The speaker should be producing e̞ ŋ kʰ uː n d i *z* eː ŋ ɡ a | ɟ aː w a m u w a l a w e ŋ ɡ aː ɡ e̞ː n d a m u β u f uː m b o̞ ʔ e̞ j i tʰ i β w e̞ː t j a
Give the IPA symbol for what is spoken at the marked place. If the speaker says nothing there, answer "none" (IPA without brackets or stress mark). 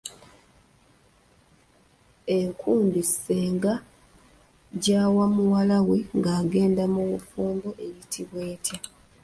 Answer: s